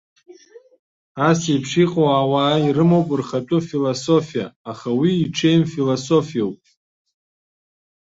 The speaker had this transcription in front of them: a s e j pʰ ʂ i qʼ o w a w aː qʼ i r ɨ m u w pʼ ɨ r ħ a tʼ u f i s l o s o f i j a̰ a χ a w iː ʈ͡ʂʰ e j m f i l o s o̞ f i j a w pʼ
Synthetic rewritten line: a s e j pʰ ʂ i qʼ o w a w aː i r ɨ m o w pʼ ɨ r χ a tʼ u f i l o s o f i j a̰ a χ a w iː ʈ͡ʂʰ e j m f i l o s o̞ f i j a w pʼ